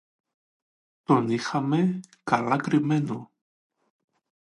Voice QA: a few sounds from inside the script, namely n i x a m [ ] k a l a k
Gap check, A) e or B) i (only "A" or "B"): A